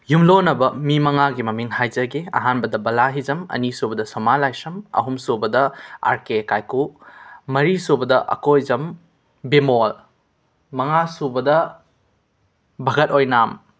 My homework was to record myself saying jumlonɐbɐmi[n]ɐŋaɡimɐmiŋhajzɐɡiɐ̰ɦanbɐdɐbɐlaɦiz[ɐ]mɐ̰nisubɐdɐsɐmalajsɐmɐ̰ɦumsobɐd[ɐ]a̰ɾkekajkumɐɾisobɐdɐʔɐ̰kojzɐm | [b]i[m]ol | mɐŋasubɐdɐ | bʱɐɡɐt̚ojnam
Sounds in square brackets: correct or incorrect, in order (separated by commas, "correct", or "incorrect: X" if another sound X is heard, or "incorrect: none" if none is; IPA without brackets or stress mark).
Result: incorrect: m, correct, correct, correct, correct